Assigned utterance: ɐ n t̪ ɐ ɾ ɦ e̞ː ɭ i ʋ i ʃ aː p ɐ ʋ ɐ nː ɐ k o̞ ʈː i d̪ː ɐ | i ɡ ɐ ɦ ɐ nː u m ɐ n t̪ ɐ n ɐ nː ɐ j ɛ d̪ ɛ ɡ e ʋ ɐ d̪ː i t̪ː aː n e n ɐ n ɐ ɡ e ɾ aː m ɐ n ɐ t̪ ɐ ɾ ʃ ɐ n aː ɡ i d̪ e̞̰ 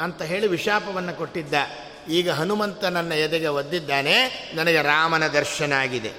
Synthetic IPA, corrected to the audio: ɐ n t̪ ɐ ɦ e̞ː ɭ i ʋ i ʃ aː p ɐ ʋ ɐ nː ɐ k o̞ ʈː i d̪ː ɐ | iː ɡ ɐ ɦ ɐ n u m ɐ n t̪ ɐ n ɐ nː ɐ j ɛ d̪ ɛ ɡ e ʋ ɐ d̪ː i d̪ː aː n e n ɐ n ɐ ɡ e ɾ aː m ɐ n ɐ d̪ ɐ ɾ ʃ ɐ n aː ɡ i d̪ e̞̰